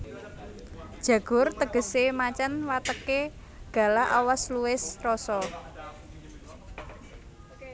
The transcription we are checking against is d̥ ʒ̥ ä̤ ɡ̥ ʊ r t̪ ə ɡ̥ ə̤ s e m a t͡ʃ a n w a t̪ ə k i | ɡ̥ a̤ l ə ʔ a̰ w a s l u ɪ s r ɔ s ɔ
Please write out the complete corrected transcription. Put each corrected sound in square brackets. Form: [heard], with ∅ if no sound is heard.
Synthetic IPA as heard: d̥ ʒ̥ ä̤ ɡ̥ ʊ r t̪ ə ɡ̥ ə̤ s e m a t͡ʃ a n w a t̪ ə k [e] | ɡ̥ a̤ l [a] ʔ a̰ w a s l u ɪ s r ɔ s ɔ